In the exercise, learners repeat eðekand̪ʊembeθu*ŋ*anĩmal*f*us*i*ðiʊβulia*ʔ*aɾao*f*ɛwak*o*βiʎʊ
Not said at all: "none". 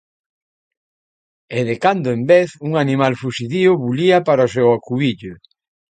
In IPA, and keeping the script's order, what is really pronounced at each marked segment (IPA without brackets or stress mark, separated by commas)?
ŋ, f, i, p, s, u